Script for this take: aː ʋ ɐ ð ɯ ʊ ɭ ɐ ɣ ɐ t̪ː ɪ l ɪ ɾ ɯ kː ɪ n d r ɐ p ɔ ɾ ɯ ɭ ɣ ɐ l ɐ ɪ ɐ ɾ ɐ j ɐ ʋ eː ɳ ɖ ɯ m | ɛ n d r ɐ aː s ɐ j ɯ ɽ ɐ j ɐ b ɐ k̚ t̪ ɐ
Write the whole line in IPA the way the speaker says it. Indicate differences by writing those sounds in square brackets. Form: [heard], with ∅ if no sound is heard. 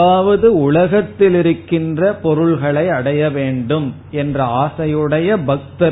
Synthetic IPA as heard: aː ʋ ɐ ð ɯ ʊ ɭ ɐ ɣ ɐ t̪ː ɪ l ɪ ɾ ɯ kː ɪ n d r ɐ p ɔ ɾ ɯ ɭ ɣ ɐ [ɭ] ɐ ɪ ɐ [ɽ] ɐ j ɐ ʋ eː ɳ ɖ ɯ m | ɛ n d r ɐ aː s ɐ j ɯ ɽ ɐ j ɐ b ɐ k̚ t̪ ɐ